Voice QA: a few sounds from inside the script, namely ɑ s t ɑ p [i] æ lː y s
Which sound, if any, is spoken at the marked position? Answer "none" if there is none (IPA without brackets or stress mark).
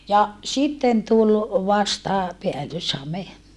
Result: e